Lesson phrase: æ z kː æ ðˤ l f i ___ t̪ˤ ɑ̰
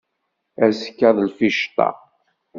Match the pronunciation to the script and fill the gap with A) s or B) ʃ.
B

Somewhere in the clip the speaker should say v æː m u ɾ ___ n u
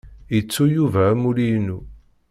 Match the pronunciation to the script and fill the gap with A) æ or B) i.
B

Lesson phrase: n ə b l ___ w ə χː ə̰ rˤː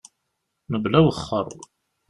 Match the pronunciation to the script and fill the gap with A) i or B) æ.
B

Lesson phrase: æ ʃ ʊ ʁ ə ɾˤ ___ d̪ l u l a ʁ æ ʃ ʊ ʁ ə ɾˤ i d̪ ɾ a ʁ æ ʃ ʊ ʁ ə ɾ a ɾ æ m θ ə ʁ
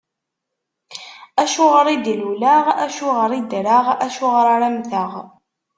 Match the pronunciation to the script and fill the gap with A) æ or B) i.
B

